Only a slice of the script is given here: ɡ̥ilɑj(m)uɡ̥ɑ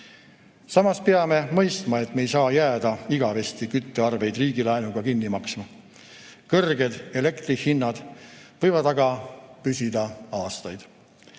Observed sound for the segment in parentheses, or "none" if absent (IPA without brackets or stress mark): n